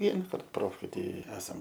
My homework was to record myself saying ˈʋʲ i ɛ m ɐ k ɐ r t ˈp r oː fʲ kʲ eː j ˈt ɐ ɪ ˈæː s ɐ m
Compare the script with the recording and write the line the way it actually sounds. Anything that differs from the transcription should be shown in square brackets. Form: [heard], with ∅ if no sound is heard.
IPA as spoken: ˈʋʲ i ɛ [n] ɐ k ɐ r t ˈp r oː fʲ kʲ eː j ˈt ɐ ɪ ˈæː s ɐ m

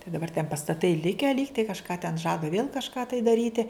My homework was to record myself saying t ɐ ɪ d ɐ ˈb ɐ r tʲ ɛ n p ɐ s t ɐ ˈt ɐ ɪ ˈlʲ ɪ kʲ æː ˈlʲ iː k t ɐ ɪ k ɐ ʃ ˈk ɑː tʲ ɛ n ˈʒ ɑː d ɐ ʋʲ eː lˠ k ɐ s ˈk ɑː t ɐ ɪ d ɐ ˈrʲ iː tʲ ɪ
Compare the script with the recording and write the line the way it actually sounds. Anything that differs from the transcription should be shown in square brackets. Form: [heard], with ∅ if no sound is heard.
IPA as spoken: t ɐ ɪ d ɐ ˈb ɐ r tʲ ɛ n p ɐ s t ɐ ˈt ɐ ɪ ˈlʲ ɪ kʲ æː ˈlʲ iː k t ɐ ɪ k ɐ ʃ ˈk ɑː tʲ ɛ n ˈʒ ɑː d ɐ ʋʲ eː lˠ k ɐ [ʃ] ˈk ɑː t ɐ ɪ d ɐ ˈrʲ iː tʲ ɪ

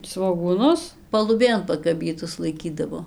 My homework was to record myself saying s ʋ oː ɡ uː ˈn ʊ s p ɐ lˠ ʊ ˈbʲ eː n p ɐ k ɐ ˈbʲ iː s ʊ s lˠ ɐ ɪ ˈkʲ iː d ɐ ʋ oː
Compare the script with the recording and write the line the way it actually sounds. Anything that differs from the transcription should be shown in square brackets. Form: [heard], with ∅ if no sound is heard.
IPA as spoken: s ʋ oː ɡ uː ˈn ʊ s p ɐ lˠ ʊ ˈbʲ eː n p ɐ k ɐ ˈbʲ iː [t] ʊ s lˠ ɐ ɪ ˈkʲ iː d ɐ ʋ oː

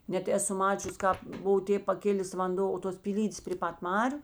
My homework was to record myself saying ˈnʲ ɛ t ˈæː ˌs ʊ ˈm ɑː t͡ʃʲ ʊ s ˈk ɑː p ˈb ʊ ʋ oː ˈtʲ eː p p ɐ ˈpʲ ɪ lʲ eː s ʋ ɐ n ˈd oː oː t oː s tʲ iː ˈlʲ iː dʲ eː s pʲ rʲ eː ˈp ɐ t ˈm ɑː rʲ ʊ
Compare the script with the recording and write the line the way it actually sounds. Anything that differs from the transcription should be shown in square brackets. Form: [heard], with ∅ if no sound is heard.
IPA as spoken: ˈnʲ ɛ t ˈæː ˌs ʊ ˈm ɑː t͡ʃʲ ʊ s ˈk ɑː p ˈb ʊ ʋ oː ˈtʲ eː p p ɐ [ˈkʲ] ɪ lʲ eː s ʋ ɐ n ˈd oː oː t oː s [pʲ] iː ˈlʲ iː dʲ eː s pʲ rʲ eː ˈp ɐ t ˈm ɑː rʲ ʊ

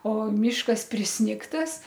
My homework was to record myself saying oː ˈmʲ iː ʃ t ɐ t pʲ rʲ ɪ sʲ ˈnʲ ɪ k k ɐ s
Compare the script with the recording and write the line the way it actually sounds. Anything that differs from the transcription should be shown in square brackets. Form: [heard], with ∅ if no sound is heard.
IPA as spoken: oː ˈmʲ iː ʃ [k] ɐ [s] pʲ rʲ ɪ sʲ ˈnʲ ɪ k [t] ɐ s

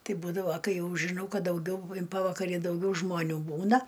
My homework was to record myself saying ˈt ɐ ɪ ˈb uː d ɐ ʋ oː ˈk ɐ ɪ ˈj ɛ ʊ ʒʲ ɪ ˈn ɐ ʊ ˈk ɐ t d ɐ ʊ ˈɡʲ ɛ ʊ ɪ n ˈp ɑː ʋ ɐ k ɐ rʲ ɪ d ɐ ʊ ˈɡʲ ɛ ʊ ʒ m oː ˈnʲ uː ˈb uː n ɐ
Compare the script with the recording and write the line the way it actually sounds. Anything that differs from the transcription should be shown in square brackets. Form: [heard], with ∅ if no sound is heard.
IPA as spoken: ˈt ɐ ɪ ˈb uː d ɐ ʋ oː ˈk ɐ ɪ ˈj ɛ ʊ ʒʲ ɪ ˈn ɐ ʊ ˈk ɐ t d ɐ ʊ ˈɡʲ ɛ ʊ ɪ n ˈp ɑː ʋ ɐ k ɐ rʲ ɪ d ɐ ʊ ˈɡʲ ɛ ʊ ʒ m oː ˈnʲ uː ˈb uː n ɐ

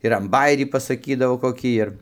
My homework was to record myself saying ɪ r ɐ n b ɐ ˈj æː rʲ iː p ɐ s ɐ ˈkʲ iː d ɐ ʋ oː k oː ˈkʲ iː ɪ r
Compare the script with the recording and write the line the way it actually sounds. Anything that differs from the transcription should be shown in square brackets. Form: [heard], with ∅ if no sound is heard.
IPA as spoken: ɪ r ɐ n b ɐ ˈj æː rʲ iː p ɐ s ɐ ˈkʲ iː d ɐ ʋ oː k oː ˈkʲ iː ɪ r

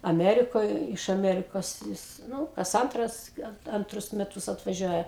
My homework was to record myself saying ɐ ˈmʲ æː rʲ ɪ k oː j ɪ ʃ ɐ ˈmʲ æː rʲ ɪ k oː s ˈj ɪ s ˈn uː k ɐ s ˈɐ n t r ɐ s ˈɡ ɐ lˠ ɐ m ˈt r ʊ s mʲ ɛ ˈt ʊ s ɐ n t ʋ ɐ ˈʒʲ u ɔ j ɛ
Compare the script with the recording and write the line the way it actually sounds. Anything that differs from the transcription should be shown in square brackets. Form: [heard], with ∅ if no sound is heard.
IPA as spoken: ɐ ˈmʲ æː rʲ ɪ k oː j ɪ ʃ ɐ ˈmʲ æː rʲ ɪ k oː s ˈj ɪ s ˈn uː k ɐ s ˈɐ n t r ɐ s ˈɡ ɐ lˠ ɐ [n] ˈt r ʊ s mʲ ɛ ˈt ʊ s ɐ [∅] t ʋ ɐ ˈʒʲ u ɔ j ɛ

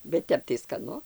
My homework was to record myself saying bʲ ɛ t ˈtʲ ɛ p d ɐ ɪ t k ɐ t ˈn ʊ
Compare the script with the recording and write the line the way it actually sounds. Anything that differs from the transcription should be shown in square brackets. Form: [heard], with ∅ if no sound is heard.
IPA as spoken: bʲ ɛ t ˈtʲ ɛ p [t] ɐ ɪ [s] k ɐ [∅] ˈn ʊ

